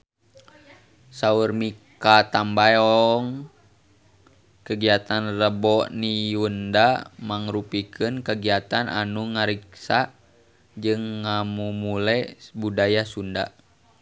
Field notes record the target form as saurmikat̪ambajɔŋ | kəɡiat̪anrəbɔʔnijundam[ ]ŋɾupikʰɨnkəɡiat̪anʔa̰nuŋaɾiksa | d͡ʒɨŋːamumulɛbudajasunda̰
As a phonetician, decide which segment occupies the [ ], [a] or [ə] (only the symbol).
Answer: a